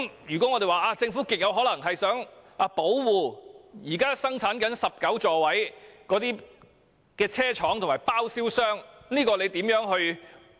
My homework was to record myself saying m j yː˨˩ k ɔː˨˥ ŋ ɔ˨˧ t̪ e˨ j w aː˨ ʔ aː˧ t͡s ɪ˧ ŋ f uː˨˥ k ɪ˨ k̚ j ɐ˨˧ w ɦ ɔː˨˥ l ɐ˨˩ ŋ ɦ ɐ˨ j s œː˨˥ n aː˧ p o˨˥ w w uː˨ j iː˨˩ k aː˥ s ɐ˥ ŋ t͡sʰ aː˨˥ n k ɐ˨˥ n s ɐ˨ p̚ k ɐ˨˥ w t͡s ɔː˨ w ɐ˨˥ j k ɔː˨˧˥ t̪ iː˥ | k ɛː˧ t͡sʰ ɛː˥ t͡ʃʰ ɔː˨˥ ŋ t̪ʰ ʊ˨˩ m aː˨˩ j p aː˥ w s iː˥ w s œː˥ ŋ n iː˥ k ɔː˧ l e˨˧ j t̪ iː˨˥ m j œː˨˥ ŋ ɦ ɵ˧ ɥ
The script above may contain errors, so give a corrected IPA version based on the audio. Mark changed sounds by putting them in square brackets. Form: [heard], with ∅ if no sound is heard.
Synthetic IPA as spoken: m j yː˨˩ k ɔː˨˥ ŋ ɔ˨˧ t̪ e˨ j w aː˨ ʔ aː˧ t͡s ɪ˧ ŋ f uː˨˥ k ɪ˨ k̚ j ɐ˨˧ w ɦ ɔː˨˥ l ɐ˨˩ ŋ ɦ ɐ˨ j s œː˨˥ [ŋ] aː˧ p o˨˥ w w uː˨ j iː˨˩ k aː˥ s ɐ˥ ŋ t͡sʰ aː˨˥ n k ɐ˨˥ n s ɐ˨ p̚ k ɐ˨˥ w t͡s ɔː˨ w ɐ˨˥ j k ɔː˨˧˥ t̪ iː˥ | k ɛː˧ t͡sʰ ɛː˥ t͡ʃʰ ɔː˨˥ ŋ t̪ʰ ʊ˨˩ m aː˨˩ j p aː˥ w s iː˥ w s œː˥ ŋ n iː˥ k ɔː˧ l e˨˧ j t̪ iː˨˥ m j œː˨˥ ŋ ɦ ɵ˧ ɥ